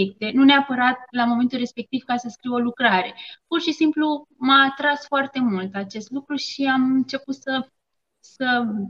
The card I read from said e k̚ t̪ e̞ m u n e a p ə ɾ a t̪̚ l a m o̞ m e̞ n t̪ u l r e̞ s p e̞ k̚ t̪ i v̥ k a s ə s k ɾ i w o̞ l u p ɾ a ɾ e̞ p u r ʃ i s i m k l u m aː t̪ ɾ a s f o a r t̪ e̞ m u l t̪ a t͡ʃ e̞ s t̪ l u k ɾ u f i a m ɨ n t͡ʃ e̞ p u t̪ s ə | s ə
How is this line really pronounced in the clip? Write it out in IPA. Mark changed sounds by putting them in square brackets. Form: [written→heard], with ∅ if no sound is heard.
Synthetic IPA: e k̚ t̪ e̞ [m→n] u n e a p ə ɾ a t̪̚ l a m o̞ m e̞ n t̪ u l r e̞ s p e̞ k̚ t̪ i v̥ k a s ə s k ɾ i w o̞ l u [p→k] ɾ a ɾ e̞ p u r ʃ i s i m [k→p] l u m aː t̪ ɾ a s f o a r t̪ e̞ m u l t̪ a t͡ʃ e̞ s t̪ l u k ɾ u [f→ʃ] i a m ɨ n t͡ʃ e̞ p u t̪ s ə | s ə